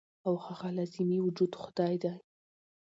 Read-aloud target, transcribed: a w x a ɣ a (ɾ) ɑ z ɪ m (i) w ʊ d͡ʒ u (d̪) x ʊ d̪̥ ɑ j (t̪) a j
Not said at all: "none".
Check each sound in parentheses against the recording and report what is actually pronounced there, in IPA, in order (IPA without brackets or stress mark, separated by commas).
l, i, d̪, d̪